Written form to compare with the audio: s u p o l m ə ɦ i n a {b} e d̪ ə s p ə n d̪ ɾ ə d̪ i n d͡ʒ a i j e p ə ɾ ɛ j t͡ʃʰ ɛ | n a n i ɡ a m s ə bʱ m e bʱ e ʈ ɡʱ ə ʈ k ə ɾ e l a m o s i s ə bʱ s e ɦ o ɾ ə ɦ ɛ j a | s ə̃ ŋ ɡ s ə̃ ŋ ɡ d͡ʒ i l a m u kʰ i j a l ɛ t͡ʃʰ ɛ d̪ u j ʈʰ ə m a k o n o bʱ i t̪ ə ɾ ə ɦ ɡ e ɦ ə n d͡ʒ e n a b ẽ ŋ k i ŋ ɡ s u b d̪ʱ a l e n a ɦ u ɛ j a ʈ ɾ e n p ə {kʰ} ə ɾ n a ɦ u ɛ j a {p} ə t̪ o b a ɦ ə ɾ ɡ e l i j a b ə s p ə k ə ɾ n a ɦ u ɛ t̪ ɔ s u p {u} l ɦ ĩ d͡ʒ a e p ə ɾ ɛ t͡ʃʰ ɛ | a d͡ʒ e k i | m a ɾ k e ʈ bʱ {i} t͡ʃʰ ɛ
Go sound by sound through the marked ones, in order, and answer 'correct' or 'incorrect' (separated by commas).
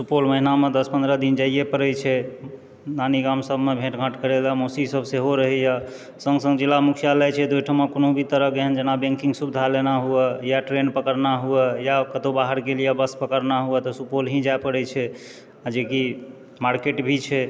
incorrect, incorrect, incorrect, incorrect, correct